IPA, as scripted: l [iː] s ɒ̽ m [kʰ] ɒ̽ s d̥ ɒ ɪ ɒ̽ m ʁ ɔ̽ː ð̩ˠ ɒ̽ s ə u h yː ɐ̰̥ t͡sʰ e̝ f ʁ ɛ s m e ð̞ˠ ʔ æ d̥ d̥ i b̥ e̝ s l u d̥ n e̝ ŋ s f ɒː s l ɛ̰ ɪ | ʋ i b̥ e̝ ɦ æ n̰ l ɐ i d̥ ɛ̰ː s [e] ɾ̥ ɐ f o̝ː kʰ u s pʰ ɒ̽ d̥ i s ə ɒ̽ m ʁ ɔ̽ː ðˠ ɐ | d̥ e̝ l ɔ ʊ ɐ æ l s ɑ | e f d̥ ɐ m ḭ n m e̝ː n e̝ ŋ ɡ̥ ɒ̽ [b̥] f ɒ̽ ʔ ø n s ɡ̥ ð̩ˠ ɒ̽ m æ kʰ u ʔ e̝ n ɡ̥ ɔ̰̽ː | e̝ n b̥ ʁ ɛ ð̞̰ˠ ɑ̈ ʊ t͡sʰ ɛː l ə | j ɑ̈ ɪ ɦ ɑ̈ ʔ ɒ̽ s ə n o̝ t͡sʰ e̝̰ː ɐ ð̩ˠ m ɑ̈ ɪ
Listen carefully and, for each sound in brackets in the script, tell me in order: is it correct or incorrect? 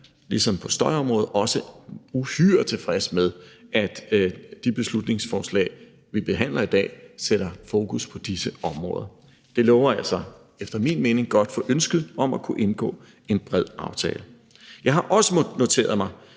incorrect: i, incorrect: pʰ, correct, incorrect: d̥

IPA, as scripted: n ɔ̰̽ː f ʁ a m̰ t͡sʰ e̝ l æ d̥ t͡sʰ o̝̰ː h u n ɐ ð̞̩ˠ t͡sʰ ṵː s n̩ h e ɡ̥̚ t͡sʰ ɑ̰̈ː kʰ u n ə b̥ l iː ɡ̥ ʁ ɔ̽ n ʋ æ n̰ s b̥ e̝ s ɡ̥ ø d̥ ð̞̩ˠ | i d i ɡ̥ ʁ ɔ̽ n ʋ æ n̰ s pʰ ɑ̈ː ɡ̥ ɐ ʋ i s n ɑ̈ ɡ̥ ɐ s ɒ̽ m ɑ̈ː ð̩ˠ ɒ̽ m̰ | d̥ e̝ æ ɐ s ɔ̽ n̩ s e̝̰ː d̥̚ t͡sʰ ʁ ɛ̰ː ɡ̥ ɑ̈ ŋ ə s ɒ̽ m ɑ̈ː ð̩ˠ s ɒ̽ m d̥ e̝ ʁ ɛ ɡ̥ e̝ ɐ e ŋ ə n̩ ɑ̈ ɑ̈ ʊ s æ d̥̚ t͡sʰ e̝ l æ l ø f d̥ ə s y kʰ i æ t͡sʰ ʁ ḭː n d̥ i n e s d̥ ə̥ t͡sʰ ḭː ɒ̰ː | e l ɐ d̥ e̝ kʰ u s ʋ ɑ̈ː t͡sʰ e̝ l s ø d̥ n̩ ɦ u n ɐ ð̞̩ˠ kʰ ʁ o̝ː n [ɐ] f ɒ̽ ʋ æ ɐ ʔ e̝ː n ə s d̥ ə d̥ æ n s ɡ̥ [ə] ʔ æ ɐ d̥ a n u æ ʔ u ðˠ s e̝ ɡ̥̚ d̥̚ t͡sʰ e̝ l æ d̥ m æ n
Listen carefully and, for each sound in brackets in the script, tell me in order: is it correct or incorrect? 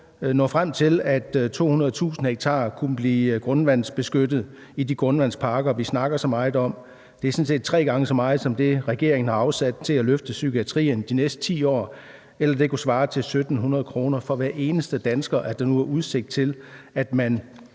correct, incorrect: ɐ

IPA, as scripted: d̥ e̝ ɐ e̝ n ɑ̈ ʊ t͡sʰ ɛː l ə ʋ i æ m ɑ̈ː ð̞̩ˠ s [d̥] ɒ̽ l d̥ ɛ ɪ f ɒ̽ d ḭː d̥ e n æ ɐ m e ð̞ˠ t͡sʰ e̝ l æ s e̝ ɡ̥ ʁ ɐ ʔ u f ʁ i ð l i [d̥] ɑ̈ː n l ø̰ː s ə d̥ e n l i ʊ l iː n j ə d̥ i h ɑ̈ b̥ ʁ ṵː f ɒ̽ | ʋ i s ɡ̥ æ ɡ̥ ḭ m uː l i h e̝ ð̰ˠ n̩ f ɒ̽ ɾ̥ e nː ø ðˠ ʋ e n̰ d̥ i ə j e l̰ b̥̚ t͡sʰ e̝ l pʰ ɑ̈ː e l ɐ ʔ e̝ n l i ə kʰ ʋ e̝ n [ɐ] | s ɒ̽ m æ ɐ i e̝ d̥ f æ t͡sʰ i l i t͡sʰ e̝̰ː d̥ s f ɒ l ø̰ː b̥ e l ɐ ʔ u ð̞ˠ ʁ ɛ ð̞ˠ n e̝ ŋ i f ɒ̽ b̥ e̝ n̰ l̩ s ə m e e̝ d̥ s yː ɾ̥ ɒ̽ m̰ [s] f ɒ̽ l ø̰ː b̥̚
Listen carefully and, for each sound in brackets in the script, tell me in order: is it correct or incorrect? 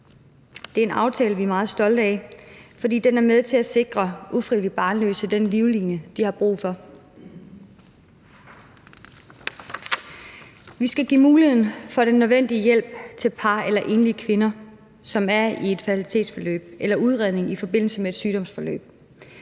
correct, incorrect: b̥, correct, correct

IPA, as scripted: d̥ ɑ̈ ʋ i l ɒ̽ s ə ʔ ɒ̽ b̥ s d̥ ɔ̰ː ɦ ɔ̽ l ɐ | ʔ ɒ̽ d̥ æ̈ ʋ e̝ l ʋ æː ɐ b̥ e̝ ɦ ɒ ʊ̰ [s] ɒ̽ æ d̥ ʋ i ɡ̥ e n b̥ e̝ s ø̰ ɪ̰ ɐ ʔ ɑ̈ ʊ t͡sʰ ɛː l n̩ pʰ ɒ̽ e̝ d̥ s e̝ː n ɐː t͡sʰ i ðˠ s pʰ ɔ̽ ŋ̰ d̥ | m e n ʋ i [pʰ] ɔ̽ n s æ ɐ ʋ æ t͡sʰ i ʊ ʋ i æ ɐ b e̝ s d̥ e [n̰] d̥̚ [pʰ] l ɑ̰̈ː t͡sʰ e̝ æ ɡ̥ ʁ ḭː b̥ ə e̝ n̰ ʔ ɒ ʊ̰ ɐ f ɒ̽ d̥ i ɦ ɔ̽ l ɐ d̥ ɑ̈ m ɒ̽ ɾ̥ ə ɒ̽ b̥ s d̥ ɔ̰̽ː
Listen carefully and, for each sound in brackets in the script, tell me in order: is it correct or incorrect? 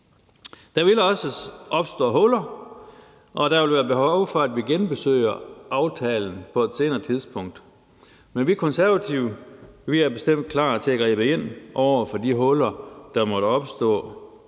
incorrect: f, incorrect: kʰ, incorrect: m̰, incorrect: kʰ

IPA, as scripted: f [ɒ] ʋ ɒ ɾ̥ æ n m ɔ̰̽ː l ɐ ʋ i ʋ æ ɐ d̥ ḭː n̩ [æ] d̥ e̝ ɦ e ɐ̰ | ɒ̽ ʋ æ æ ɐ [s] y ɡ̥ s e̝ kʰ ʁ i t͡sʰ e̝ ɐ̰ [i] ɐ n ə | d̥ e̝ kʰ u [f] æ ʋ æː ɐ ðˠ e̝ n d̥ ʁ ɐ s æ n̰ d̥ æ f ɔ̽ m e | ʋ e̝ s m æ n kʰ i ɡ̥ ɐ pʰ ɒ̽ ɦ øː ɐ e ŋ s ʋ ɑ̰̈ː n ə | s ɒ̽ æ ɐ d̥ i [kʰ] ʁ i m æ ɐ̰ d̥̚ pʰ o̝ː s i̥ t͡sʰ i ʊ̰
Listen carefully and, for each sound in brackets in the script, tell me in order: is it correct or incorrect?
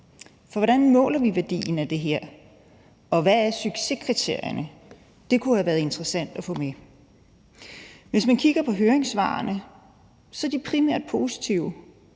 correct, correct, correct, incorrect: j, incorrect: h, incorrect: pʰ

